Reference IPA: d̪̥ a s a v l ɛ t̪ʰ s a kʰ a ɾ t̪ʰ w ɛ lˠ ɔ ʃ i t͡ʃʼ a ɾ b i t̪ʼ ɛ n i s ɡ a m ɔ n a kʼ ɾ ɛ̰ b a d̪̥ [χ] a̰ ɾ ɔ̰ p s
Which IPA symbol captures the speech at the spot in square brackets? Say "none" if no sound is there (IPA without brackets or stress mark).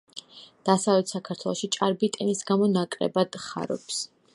χ